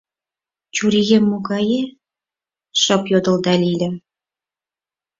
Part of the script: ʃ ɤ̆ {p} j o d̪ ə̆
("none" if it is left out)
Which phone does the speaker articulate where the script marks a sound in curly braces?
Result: p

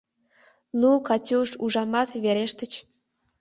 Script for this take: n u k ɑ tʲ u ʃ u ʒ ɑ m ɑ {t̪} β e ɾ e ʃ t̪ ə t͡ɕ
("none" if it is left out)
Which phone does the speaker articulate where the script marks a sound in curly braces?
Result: t̪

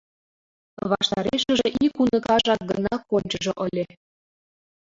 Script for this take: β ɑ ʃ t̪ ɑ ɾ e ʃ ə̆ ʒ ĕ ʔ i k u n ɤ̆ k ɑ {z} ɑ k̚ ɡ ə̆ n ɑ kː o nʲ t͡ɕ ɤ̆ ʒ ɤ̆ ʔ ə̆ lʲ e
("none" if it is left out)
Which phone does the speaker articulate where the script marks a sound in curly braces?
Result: ʒ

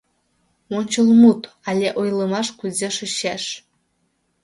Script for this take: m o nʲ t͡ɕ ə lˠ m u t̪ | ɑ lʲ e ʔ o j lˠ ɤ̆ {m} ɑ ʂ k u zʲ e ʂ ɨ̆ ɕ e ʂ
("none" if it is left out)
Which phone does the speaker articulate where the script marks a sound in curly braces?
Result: m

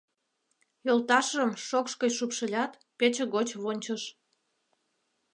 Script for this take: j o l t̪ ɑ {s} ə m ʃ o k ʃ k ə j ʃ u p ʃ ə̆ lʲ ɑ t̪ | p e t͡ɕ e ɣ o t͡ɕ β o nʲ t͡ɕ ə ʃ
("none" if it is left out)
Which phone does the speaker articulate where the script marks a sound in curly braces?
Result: ʃ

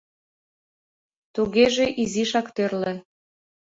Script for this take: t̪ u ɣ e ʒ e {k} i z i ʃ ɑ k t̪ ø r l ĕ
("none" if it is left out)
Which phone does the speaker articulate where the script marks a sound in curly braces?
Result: ʔ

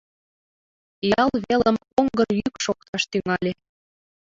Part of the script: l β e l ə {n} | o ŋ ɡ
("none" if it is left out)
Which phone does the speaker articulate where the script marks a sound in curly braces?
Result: m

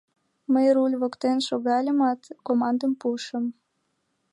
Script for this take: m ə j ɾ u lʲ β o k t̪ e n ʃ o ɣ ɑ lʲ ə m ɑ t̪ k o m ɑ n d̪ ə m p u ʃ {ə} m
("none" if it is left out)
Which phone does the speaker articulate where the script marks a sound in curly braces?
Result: ə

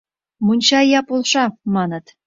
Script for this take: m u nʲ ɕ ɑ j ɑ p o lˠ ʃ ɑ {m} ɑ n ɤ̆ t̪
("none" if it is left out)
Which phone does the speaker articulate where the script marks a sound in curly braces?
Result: m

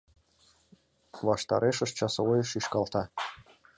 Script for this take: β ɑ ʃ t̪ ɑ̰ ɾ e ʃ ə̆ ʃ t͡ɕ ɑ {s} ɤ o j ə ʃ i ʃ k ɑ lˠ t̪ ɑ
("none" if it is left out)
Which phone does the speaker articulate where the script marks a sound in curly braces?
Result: s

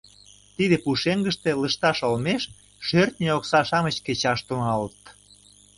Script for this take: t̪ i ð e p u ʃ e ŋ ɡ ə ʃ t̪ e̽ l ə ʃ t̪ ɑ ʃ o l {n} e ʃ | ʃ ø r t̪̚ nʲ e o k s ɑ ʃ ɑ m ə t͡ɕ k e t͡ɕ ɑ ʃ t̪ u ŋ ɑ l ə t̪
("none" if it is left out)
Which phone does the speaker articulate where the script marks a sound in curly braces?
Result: m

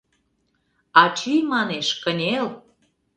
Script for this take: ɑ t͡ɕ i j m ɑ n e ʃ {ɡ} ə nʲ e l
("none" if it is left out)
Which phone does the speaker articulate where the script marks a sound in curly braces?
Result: k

